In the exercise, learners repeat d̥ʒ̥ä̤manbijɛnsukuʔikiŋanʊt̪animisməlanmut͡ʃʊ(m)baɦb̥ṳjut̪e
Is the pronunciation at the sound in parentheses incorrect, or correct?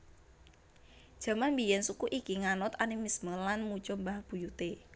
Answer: correct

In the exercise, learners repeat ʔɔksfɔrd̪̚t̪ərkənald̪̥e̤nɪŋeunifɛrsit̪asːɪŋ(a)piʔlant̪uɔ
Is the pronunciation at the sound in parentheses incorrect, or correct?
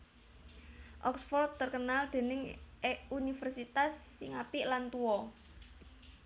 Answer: correct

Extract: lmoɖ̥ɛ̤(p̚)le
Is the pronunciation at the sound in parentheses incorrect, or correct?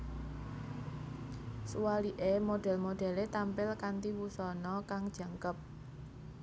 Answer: incorrect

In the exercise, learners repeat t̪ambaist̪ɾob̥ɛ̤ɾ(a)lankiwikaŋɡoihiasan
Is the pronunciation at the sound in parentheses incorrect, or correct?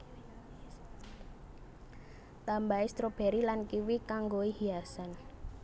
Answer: incorrect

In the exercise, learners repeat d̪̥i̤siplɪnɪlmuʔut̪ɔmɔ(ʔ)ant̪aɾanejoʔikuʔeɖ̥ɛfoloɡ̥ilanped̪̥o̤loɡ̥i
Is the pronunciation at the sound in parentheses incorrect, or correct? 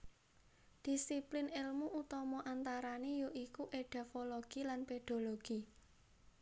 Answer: correct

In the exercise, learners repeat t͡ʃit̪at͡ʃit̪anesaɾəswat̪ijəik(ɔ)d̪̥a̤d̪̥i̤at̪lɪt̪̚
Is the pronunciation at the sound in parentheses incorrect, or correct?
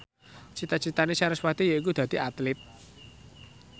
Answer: incorrect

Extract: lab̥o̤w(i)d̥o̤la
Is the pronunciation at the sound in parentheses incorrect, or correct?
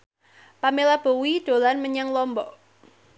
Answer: correct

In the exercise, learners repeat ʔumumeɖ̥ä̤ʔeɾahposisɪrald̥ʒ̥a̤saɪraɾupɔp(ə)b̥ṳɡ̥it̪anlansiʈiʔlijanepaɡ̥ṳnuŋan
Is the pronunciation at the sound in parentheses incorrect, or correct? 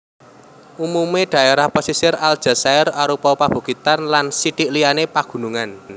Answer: incorrect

